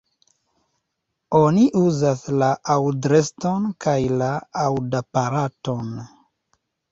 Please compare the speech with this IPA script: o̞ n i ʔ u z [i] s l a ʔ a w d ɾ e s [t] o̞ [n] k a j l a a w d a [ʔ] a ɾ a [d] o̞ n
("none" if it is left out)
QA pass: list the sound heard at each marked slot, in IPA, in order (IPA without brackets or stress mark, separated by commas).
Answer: a, t, n, p, t